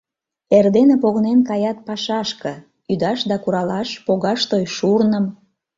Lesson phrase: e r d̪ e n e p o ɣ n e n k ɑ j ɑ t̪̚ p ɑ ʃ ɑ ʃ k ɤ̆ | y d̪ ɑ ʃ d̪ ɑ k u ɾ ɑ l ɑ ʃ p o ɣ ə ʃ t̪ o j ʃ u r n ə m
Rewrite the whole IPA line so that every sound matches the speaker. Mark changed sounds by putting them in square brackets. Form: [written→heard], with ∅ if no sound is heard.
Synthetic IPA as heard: e r d̪ e n e p o ɣ n e n k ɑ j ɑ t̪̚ p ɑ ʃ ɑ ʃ k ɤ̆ | y d̪ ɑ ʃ d̪ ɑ k u ɾ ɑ l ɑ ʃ p o ɣ [ə→ɑ] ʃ t̪ o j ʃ u r n ə m